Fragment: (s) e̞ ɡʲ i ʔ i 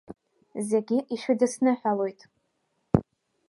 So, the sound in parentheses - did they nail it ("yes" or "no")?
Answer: no